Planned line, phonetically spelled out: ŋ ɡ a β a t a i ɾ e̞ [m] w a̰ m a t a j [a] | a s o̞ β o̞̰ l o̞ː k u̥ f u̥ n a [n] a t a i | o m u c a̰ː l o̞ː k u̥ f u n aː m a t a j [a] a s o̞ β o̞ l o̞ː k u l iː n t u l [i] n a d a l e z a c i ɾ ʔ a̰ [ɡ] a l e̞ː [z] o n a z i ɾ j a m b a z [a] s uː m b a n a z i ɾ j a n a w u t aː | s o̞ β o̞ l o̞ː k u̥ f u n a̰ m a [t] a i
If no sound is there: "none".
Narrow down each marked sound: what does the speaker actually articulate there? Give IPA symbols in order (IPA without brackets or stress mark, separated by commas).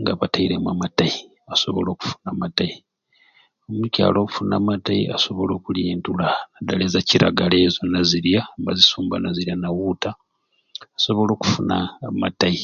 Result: m, i, m, i, a, ɡ, z, i, t